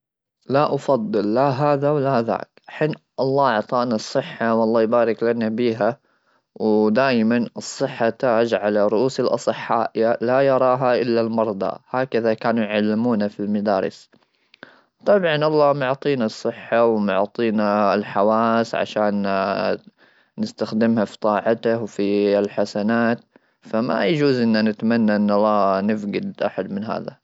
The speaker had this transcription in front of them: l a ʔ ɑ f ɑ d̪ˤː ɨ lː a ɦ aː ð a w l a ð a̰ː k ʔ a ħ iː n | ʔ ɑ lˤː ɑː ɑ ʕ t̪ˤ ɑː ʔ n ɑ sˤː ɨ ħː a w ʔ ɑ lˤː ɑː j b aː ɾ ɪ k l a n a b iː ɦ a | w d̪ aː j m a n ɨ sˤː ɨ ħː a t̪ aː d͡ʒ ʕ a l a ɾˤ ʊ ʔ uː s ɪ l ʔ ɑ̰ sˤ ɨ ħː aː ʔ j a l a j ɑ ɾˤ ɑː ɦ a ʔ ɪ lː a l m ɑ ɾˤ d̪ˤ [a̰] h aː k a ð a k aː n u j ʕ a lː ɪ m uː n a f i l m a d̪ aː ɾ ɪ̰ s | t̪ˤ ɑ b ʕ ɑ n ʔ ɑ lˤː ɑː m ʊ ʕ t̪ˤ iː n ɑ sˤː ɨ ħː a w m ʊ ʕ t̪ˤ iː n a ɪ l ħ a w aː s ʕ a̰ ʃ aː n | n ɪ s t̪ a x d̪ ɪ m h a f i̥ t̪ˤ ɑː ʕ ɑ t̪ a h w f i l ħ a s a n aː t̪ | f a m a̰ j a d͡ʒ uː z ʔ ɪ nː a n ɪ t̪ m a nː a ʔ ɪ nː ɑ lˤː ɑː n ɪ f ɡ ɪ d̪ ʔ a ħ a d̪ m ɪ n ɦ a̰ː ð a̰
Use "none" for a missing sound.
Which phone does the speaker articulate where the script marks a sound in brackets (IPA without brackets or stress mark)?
ɑ̰